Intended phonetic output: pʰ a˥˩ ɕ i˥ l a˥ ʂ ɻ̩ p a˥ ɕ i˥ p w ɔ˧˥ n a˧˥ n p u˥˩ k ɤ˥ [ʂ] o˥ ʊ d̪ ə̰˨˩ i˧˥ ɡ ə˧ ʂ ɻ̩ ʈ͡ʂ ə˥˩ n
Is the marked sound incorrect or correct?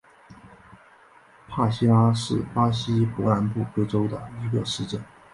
incorrect